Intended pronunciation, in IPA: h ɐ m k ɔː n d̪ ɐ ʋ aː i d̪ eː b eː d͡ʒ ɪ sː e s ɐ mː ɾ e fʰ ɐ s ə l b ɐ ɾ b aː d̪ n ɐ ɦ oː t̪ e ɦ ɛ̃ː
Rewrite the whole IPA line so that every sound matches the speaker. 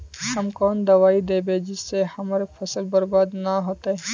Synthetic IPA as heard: h ɐ m k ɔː n d̪ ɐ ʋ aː i d̪ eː b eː d͡ʒ ɪ sː e h ɐ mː ɾ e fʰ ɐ s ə l b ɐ ɾ b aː d̪ n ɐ ɦ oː t̪ e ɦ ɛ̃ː